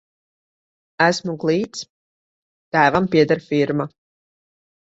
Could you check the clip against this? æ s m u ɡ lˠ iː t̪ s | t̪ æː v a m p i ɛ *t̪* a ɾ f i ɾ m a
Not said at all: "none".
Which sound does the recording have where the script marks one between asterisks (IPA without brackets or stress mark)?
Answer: d̪